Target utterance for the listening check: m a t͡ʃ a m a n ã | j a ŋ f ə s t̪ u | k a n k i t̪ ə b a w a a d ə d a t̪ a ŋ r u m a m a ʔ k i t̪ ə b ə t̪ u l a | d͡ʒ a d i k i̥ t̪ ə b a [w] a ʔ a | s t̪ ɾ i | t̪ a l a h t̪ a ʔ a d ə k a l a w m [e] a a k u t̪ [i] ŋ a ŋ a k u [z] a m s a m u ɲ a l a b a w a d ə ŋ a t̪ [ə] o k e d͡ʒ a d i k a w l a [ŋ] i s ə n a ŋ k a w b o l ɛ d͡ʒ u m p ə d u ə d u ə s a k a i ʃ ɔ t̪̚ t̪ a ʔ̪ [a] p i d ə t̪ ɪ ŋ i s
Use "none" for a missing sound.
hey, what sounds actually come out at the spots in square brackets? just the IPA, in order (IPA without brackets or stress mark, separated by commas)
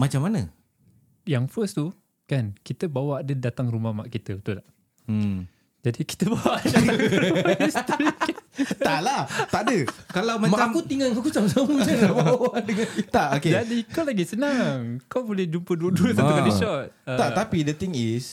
w, a, i, s, a, ɡ, a